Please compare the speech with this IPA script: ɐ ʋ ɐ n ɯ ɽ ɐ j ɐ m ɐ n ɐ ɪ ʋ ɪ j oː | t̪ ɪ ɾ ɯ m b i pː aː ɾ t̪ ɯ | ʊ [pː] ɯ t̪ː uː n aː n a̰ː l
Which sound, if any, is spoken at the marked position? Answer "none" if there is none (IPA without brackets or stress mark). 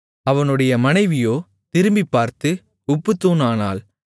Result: pː